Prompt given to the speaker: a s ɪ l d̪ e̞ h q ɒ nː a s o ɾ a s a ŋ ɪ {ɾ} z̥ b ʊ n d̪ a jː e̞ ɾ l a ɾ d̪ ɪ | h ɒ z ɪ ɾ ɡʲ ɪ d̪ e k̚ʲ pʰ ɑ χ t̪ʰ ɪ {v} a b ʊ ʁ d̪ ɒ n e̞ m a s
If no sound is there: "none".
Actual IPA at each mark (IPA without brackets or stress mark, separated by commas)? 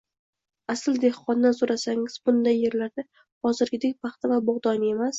none, v